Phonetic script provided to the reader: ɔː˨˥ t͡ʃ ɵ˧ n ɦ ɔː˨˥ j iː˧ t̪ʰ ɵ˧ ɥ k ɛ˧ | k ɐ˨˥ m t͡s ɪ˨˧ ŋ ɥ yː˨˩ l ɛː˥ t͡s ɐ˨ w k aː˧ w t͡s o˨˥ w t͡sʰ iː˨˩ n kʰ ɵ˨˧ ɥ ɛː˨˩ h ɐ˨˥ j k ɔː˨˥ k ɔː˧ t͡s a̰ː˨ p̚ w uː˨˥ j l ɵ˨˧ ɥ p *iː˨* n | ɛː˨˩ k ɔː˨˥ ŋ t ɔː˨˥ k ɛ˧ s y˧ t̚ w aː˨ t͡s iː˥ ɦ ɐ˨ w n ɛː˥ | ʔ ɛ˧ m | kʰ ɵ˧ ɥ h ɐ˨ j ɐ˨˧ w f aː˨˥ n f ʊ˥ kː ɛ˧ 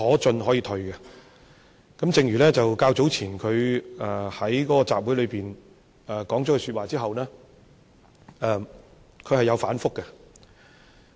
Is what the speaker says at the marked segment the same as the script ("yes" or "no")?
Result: yes